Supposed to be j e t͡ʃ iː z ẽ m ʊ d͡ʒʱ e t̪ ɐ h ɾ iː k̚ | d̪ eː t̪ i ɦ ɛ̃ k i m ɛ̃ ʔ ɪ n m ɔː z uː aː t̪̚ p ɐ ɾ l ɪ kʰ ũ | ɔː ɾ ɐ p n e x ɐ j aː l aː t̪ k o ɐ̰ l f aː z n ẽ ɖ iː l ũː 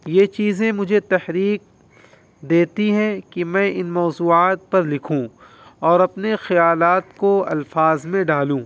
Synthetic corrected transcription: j e t͡ʃ iː z ẽ m ʊ d͡ʒʱ e t̪ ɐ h ɾ iː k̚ | d̪ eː t̪ i ɦ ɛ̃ k i m ɛ̃ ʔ ɪ n m ɔː z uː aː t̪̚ p ɐ ɾ l ɪ kʰ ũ | ɔː ɾ ɐ p n e x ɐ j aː l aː t̪ k o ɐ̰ l f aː z m ẽ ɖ aː l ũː